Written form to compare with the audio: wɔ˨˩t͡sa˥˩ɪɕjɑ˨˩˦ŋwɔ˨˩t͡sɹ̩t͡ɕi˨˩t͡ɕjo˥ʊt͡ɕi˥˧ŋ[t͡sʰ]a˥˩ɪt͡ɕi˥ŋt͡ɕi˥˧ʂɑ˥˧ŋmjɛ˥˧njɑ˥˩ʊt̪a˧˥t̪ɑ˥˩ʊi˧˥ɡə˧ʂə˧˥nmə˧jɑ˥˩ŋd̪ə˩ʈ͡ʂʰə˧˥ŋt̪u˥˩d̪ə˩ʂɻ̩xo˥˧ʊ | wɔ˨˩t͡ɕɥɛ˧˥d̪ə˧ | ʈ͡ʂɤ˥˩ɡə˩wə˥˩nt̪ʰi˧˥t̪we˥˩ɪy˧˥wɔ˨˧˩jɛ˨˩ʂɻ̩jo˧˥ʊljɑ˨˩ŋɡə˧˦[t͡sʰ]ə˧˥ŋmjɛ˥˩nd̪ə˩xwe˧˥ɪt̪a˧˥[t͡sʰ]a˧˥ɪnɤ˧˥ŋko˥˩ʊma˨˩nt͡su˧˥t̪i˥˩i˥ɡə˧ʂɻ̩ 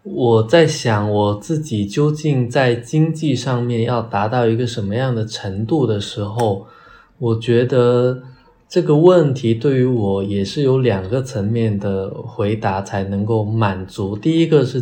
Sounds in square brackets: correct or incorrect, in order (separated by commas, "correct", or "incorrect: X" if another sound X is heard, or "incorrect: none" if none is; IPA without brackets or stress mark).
incorrect: t͡s, correct, correct